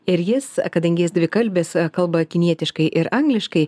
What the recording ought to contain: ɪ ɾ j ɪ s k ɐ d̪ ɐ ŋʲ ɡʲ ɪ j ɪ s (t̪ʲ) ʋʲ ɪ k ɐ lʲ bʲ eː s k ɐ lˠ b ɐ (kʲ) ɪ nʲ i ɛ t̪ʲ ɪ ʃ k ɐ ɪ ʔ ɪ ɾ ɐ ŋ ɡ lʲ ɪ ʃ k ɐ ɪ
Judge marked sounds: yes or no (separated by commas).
no, yes